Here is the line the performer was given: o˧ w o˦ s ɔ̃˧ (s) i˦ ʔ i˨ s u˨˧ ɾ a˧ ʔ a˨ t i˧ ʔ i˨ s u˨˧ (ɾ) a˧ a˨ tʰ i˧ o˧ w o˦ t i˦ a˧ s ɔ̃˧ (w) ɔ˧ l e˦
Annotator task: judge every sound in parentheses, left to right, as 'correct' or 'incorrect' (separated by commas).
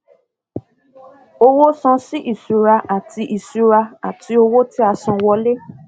correct, correct, correct